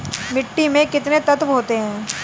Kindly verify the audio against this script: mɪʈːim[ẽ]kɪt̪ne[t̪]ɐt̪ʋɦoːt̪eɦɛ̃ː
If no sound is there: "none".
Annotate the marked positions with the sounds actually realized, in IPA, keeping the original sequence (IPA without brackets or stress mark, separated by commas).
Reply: ẽ, t̪